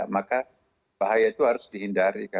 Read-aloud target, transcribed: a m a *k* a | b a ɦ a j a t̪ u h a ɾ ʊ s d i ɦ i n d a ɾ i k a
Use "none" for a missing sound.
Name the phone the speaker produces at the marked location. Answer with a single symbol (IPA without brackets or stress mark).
k